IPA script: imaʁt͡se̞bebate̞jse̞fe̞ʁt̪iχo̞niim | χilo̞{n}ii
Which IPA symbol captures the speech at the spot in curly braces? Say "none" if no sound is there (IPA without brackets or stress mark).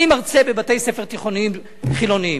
n